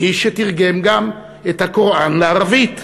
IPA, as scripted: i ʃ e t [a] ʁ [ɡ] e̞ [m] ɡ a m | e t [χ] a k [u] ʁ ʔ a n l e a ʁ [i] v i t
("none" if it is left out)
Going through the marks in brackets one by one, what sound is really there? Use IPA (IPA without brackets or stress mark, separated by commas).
i, ɡ, m, h, o, a